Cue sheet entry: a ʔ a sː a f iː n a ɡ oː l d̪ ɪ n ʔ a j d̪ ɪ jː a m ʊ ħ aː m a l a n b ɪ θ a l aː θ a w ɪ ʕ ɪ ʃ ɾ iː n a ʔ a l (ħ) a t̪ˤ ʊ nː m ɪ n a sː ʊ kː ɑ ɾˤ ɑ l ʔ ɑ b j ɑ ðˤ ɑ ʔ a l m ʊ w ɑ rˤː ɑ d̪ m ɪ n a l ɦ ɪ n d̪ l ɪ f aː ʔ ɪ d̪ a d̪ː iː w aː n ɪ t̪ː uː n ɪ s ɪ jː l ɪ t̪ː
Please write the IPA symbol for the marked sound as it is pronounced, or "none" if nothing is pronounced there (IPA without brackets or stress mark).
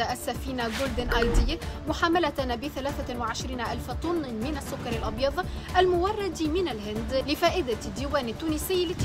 f